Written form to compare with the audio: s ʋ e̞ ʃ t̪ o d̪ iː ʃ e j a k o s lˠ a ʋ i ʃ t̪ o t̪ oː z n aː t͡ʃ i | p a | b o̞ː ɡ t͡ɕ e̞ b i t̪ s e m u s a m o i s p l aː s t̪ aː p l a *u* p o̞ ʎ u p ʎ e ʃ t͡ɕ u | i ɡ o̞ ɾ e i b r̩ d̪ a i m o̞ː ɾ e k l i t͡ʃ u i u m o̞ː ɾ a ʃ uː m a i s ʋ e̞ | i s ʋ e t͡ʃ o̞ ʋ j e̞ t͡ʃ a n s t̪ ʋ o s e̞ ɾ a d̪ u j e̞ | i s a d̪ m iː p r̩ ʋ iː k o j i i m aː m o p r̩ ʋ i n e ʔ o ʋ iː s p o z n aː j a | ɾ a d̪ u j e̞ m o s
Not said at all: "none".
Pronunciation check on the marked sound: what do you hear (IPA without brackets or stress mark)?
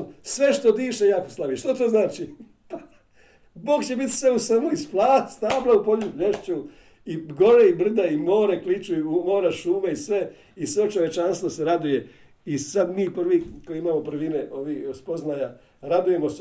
u